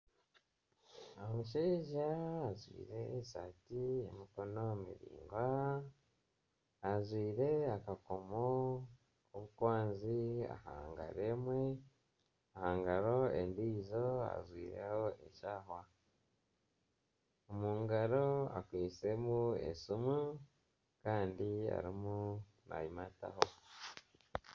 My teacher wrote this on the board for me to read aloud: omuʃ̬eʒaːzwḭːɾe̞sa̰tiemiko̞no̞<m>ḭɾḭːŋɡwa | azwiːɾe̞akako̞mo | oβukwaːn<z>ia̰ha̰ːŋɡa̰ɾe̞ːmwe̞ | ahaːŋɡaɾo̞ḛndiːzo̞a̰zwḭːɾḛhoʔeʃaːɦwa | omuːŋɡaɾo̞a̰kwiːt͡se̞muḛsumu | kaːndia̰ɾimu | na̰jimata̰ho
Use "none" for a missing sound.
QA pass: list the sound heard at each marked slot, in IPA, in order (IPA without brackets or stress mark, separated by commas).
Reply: m, z